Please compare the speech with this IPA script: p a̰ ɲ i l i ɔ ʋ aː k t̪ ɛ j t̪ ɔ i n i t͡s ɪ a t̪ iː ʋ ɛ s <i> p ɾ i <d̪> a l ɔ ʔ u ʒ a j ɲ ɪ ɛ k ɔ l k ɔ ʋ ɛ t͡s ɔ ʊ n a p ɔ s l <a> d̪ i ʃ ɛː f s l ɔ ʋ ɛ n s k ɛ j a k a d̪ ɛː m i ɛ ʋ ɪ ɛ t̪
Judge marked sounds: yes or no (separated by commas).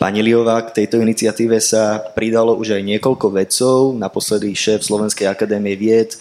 no, yes, no